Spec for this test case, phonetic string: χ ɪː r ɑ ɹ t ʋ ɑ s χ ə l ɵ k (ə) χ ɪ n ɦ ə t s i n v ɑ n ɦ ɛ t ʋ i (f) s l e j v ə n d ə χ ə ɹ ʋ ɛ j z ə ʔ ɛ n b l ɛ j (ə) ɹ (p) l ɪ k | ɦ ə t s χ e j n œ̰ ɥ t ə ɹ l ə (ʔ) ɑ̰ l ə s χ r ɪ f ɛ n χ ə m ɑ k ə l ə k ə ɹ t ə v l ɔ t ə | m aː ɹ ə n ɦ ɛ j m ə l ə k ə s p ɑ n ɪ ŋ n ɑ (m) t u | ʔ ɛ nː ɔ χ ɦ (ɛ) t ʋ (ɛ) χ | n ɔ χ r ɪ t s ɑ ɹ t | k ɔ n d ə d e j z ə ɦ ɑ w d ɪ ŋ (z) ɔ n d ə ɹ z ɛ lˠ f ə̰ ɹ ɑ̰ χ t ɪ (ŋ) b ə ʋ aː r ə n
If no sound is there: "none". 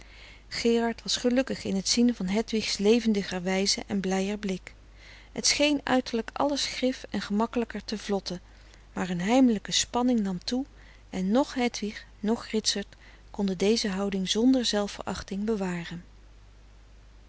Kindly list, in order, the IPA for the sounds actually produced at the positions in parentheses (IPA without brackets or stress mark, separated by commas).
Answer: ə, χ, ə, b, k, m, ɛ, i, z, ŋ